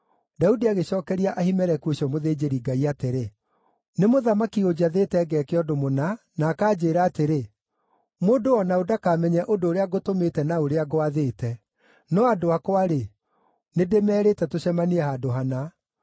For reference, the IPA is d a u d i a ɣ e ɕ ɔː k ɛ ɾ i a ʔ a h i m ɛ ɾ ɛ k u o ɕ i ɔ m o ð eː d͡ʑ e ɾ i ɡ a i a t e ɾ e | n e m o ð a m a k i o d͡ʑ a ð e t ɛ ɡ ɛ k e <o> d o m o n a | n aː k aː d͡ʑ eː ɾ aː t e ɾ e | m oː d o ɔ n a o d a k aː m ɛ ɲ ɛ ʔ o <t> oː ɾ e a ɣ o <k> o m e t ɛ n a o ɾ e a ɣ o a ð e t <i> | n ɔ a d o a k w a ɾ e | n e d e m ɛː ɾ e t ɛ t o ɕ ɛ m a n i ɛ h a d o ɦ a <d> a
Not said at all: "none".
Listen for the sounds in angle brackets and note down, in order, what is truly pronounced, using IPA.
ɔ, d, t, ɛ, n

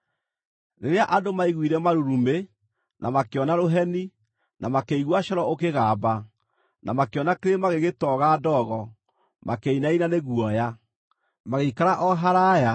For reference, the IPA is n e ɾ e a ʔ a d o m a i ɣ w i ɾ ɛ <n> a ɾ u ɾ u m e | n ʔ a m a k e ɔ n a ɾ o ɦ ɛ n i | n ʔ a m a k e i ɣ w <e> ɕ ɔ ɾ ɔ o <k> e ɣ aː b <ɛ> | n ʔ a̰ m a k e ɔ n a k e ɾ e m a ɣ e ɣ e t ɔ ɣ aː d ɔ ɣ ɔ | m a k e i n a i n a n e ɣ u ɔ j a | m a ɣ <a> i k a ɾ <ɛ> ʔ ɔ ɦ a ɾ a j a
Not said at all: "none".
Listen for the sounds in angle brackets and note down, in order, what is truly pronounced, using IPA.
m, a, k, a, e, a

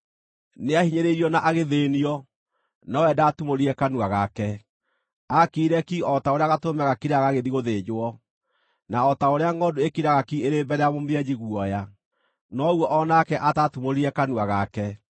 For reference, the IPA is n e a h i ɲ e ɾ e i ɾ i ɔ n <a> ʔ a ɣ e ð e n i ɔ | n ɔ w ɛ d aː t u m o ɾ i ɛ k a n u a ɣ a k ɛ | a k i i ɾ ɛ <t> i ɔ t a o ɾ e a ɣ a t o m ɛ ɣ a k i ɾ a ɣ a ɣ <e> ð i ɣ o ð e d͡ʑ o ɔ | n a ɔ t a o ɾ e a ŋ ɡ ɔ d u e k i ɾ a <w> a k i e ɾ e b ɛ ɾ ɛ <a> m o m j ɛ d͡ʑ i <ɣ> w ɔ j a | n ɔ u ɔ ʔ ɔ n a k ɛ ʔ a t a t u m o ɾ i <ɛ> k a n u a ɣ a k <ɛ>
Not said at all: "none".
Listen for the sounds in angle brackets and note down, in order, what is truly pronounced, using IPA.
a, k, e, ɣ, a, ɣ, ɛ, ɛ

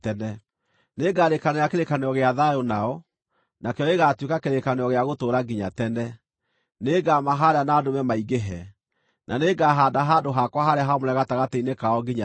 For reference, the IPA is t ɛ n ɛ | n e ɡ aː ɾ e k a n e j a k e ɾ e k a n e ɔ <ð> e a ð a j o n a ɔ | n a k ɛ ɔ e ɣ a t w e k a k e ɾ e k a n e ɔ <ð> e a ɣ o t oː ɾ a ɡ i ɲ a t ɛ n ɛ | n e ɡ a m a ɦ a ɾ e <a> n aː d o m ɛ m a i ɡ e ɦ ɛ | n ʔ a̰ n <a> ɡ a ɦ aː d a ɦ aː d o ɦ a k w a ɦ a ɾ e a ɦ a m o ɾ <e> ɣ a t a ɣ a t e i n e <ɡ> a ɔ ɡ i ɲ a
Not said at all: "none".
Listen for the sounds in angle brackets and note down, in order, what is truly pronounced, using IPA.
ɣ, ɣ, a, e, ɛ, k

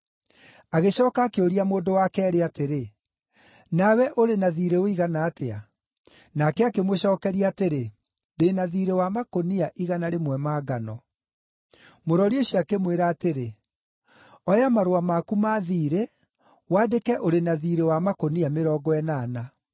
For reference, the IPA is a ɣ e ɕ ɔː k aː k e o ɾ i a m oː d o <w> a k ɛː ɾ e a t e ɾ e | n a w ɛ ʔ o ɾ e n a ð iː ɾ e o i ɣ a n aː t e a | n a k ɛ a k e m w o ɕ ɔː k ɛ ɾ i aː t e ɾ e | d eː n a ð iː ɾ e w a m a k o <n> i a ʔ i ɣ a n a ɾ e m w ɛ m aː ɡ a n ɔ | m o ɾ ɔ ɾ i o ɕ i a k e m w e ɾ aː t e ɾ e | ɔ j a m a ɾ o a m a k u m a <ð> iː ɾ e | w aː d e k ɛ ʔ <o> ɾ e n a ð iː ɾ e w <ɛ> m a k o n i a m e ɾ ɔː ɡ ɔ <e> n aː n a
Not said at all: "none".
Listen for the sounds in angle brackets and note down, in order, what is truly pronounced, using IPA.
w, n, ð, o, a, ɛ

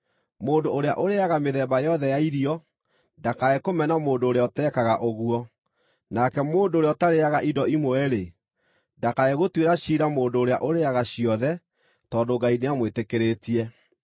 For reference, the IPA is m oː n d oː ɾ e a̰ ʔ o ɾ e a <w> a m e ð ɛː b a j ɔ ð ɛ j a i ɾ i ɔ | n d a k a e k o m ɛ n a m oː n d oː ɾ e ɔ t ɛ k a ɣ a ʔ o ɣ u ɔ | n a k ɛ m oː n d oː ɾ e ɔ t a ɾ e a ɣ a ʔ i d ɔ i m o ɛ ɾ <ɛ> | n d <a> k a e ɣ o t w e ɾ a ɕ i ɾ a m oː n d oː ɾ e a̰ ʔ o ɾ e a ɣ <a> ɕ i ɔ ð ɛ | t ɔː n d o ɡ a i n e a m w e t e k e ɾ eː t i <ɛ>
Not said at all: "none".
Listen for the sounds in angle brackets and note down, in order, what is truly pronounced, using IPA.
ɣ, e, a, a, ɛ

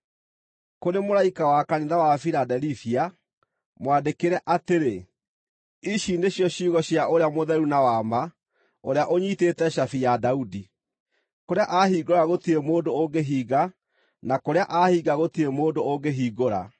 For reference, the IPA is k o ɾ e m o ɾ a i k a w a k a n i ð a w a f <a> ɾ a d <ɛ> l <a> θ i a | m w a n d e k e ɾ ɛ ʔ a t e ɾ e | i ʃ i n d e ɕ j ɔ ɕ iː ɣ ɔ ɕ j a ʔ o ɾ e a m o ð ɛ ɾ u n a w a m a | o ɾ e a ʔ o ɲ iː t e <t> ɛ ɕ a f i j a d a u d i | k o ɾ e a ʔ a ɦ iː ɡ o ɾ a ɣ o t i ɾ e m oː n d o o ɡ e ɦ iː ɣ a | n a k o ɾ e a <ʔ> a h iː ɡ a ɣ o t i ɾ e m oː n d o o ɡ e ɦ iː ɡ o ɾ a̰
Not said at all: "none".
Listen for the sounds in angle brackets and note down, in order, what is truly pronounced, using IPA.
i, ɛ, i, t, ʔ

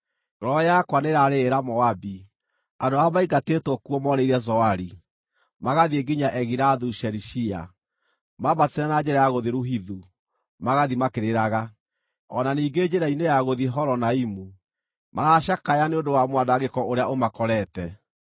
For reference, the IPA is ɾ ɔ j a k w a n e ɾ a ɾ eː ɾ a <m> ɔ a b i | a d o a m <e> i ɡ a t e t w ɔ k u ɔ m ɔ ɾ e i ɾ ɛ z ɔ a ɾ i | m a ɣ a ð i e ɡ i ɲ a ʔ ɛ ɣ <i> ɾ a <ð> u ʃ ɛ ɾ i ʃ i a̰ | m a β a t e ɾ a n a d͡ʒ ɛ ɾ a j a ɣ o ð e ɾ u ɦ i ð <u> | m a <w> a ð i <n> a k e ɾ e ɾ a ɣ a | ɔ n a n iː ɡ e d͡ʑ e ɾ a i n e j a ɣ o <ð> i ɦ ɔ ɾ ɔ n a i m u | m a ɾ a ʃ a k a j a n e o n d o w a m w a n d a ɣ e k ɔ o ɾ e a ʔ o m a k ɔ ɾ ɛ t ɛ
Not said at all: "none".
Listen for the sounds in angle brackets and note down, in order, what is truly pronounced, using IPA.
m, a, i, ð, u, ɣ, m, ð

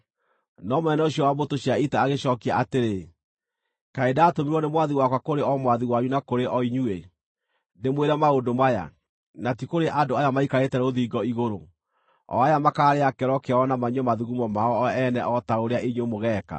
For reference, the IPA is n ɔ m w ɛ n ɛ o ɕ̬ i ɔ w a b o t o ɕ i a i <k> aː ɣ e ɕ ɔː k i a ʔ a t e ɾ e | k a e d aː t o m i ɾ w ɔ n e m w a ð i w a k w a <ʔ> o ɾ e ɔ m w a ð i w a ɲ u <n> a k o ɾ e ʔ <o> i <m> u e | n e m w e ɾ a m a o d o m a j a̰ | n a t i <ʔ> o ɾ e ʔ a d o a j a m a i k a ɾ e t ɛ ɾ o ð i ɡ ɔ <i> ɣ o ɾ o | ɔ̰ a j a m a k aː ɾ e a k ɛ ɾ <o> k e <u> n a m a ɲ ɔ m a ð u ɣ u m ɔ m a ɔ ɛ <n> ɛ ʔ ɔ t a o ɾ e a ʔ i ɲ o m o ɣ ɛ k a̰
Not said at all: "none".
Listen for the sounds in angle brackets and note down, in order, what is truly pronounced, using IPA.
t, k, n, ɔ, ɲ, k, i, ɔ, ɔ, n

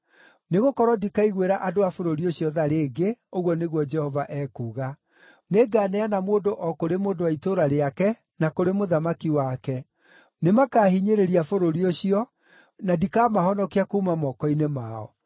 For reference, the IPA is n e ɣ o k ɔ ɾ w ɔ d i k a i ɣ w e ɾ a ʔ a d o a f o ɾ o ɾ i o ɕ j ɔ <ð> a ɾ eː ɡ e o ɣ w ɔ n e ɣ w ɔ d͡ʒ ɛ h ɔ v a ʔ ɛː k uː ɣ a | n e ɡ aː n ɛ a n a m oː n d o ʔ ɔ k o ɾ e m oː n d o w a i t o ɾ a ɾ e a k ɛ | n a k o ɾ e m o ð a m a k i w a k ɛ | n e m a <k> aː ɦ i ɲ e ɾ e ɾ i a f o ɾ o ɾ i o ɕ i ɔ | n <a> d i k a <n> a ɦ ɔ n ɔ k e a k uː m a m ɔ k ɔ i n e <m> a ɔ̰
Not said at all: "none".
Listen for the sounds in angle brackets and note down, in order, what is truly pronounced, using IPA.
ð, k, a, m, m

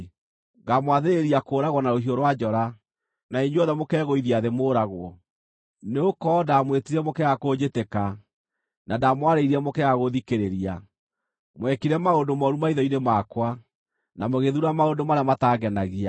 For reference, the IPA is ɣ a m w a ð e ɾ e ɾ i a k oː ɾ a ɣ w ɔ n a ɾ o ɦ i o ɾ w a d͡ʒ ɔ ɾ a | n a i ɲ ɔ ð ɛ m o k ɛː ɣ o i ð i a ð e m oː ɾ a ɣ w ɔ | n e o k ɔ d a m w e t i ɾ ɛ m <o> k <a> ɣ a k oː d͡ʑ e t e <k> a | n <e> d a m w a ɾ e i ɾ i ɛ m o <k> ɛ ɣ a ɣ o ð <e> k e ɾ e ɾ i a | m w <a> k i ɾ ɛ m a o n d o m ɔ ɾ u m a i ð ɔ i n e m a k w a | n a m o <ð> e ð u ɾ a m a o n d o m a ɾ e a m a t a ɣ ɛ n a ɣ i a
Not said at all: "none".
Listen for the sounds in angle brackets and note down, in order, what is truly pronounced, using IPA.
o, ɛ, k, a, k, i, ɛ, ɣ

